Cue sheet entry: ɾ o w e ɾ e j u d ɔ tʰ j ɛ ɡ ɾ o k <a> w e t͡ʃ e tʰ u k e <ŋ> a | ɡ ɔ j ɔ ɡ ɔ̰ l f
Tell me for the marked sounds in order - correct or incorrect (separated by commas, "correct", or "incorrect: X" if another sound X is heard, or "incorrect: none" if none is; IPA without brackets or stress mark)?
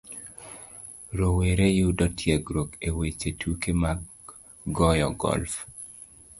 incorrect: e, incorrect: m